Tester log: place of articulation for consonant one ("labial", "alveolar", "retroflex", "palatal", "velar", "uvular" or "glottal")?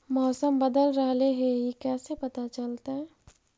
labial